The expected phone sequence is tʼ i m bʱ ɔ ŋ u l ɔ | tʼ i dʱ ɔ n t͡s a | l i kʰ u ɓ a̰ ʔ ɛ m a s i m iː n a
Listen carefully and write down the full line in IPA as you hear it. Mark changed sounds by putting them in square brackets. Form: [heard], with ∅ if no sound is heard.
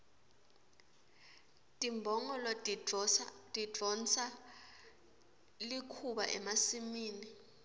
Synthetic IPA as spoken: tʼ i m bʱ ɔ ŋ [ɔ] l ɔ | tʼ i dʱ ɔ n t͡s a | l i kʰ u ɓ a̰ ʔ ɛ m a s i m iː n [i]